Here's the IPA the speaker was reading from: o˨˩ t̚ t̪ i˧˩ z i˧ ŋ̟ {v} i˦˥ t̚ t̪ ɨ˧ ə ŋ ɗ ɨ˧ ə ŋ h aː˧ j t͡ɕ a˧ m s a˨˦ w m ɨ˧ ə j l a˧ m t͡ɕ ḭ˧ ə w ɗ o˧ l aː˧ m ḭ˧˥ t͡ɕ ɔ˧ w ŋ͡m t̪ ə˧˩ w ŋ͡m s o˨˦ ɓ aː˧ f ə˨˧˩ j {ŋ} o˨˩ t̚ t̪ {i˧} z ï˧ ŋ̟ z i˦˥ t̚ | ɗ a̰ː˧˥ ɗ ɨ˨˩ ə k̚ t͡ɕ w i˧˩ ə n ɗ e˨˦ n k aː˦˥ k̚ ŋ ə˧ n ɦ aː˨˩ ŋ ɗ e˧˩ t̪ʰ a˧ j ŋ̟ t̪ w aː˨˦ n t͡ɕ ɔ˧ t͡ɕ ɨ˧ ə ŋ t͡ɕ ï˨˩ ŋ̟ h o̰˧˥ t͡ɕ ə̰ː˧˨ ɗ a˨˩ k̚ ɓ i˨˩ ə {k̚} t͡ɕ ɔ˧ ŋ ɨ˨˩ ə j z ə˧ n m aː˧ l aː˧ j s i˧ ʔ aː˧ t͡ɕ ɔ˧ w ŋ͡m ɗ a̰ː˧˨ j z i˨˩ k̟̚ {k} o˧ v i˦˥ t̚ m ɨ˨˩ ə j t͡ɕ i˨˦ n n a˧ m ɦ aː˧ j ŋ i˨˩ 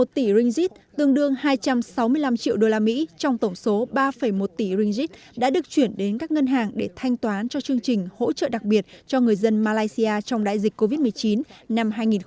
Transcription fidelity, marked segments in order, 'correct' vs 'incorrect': incorrect: z, incorrect: m, incorrect: i˧˩, incorrect: t̚, correct

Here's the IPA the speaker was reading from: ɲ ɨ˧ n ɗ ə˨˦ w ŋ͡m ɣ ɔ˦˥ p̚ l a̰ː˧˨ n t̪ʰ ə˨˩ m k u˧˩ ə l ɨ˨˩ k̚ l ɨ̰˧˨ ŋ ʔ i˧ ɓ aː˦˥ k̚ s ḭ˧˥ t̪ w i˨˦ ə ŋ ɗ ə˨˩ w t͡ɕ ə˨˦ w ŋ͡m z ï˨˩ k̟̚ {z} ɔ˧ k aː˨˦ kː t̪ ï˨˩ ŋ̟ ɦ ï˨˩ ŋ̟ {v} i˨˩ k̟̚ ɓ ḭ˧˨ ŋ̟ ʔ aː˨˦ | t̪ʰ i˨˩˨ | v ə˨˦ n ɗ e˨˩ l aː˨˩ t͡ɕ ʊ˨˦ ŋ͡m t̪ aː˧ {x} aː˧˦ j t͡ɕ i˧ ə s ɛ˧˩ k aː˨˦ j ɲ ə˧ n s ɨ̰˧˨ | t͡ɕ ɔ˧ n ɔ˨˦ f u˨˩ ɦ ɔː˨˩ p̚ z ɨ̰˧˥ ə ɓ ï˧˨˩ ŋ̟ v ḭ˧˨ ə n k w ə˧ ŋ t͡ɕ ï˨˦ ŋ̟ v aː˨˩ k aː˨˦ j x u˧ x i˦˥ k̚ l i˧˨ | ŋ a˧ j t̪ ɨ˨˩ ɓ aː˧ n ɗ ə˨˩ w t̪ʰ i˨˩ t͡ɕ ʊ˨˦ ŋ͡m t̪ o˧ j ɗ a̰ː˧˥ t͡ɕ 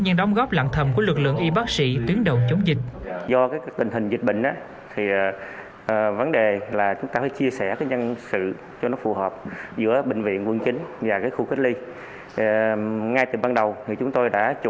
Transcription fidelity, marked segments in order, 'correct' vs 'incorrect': correct, incorrect: z, incorrect: f

